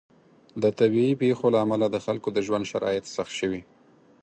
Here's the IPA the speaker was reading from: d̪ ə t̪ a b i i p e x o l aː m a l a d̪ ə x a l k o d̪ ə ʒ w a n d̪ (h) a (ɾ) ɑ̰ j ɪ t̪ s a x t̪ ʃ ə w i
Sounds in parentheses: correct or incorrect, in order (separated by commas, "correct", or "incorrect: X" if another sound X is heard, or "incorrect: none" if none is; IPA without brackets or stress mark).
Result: incorrect: ʃ, correct